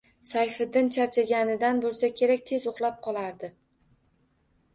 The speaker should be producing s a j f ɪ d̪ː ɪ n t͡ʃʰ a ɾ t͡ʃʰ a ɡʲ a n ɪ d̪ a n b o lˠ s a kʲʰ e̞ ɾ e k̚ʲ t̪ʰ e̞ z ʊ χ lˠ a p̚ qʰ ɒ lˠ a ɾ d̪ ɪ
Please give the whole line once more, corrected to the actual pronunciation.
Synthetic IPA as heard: s a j f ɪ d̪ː ɪ n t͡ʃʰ a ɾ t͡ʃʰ a ɡʲ a n ɪ d̪ a n b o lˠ s a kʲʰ e̞ ɾ a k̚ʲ t̪ʰ e̞ z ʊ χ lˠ a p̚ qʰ ɒ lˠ a ɾ d̪ ɪ